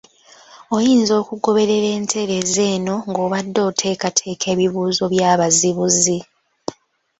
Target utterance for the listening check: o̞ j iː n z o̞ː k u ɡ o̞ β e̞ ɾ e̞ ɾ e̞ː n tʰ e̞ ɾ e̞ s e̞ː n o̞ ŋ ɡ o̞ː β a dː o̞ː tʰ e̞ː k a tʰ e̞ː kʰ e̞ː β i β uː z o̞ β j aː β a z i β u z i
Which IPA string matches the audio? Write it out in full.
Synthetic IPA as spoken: o̞ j iː n z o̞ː k u ɡ o̞ β e̞ ɾ e̞ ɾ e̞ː n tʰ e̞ ɾ e̞ z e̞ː n o̞ ŋ ɡ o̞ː β a dː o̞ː tʰ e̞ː k a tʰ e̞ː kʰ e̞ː β i β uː z o̞ β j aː β a z i β u z i